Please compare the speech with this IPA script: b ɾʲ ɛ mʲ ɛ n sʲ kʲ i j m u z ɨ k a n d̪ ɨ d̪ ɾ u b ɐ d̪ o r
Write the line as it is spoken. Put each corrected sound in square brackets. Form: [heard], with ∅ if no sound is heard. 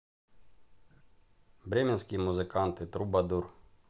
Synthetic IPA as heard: b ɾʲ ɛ mʲ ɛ n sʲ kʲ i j m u z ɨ k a n [t̪] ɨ [t̪] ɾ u b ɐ d̪ [u] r